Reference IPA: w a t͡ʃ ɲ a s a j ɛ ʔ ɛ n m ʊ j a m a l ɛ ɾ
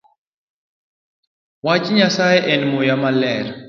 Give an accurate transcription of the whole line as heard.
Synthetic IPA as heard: w a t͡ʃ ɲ a s a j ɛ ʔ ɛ n m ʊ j a m a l ɛ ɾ